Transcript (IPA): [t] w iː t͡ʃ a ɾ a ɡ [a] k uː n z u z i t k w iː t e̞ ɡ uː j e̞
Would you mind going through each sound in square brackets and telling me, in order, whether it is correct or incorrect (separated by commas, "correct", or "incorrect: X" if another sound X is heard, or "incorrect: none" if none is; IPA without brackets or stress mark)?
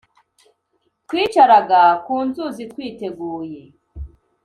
correct, correct